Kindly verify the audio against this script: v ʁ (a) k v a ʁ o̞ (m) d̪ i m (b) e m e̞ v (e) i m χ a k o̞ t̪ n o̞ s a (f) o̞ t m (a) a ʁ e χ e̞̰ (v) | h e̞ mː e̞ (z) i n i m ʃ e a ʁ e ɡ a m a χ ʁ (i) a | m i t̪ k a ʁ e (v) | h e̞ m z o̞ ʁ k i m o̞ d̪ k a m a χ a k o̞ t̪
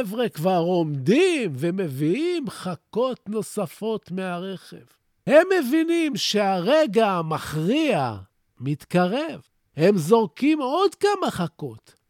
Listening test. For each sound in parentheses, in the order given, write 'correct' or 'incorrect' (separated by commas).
incorrect, correct, incorrect, incorrect, correct, incorrect, correct, incorrect, correct, correct